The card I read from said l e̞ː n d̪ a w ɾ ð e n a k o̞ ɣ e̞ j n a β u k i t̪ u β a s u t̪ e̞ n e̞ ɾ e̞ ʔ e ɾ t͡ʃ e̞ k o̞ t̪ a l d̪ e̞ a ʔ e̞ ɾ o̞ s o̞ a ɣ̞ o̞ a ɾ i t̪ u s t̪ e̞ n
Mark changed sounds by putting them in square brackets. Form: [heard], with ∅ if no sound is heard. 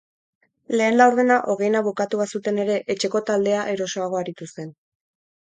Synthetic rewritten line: l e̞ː n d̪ a w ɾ ð e n a [ʔ] o̞ ɣ e̞ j n a β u k [a] t̪ u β a s u t̪ e̞ n e̞ ɾ e̞ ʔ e [∅] t͡ʃ e̞ k o̞ t̪ a l d̪ e̞ a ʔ e̞ ɾ o̞ s o̞ a ɣ̞ o̞ a ɾ i t̪ u s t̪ e̞ n